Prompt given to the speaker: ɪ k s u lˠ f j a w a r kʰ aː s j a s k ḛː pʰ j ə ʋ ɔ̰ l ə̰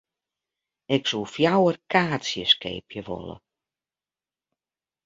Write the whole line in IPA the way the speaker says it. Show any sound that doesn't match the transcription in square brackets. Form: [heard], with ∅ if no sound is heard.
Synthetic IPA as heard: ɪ k s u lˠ f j a w [ə] r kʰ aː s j [ə] s k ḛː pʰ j ə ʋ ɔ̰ l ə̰